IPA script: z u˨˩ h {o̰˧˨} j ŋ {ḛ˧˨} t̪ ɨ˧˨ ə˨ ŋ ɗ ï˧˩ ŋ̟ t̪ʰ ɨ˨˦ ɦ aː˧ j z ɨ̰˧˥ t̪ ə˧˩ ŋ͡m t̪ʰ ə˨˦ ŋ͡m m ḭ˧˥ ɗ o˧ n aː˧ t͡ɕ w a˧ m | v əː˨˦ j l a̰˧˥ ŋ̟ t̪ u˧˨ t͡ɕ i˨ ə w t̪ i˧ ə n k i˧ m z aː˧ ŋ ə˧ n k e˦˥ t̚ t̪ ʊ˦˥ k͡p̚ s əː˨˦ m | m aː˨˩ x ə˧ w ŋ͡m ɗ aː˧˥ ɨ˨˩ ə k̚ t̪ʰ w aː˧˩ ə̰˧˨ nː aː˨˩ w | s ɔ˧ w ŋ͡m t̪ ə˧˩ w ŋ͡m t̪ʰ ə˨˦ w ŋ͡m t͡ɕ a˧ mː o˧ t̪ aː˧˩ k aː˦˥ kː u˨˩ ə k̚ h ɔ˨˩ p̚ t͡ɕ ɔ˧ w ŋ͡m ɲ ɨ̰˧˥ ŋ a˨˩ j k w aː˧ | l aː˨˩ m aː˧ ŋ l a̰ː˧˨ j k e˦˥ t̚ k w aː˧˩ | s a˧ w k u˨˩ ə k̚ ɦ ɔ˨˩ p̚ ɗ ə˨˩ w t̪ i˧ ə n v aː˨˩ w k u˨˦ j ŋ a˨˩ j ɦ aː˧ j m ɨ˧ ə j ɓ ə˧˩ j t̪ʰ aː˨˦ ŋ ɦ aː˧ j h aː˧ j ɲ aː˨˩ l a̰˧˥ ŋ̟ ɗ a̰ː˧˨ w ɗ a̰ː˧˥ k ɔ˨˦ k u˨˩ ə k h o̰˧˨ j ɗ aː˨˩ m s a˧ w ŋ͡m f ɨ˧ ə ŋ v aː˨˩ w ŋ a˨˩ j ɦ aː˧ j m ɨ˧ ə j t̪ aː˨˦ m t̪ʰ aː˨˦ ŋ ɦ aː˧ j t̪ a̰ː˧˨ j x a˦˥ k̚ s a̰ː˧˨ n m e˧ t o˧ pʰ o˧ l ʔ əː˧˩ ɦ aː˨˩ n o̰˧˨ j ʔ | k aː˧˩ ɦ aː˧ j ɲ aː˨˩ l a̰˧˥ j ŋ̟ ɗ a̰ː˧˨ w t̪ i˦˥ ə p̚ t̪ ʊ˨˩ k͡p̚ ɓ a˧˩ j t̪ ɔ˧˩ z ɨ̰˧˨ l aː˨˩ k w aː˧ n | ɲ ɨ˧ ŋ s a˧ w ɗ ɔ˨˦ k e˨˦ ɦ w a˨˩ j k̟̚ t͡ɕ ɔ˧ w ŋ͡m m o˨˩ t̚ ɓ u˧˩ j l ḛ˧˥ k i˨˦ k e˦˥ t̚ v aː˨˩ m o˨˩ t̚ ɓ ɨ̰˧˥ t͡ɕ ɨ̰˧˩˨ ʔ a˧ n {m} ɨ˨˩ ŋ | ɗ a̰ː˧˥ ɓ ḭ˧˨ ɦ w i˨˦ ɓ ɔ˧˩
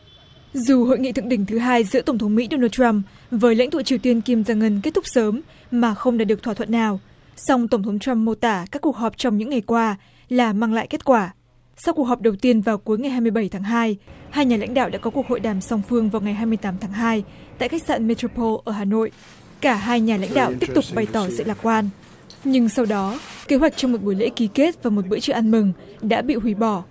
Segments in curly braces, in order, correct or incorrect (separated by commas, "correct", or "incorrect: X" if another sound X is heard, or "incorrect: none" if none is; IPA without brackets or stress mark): correct, incorrect: ḭ˧˨, correct